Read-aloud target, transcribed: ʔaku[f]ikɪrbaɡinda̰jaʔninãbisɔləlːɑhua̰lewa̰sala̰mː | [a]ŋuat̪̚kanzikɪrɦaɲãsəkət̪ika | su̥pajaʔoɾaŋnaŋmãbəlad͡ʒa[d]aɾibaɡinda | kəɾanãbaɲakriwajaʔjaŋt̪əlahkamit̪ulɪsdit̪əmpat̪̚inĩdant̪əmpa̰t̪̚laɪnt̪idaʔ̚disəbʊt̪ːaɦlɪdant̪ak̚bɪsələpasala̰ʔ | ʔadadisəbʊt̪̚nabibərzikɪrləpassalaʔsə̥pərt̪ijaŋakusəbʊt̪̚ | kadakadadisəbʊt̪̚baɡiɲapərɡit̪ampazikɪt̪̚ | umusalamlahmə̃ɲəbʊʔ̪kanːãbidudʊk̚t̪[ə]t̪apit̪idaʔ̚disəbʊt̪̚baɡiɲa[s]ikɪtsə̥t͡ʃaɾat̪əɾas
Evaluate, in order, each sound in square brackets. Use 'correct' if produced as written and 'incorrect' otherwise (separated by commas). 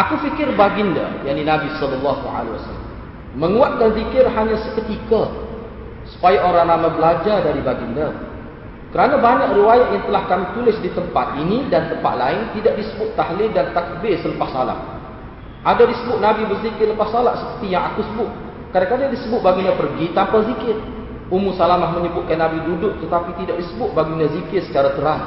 correct, incorrect, correct, correct, incorrect